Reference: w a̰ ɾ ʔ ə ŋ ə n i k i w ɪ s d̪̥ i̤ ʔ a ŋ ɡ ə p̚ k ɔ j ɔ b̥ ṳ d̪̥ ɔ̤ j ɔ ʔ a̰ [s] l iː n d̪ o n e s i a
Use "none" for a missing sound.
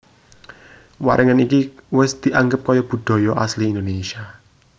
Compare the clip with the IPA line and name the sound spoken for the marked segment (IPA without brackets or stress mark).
s